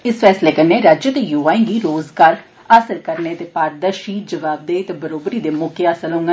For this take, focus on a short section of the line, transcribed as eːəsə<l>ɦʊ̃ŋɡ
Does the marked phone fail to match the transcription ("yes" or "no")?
no